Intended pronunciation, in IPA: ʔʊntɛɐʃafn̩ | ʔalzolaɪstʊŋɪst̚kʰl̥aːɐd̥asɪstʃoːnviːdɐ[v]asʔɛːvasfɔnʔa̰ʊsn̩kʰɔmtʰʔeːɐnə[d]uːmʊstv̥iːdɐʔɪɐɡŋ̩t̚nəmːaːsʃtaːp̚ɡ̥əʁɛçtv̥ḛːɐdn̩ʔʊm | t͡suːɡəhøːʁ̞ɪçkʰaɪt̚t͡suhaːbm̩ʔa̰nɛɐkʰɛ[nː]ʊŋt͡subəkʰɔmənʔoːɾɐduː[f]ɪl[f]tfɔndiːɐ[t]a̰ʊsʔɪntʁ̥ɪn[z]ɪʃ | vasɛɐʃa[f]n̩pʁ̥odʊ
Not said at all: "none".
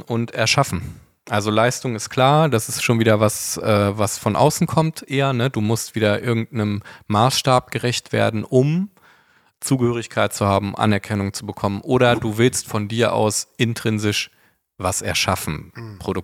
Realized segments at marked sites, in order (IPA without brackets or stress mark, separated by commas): v, d, n, v, s, ʔ, z, f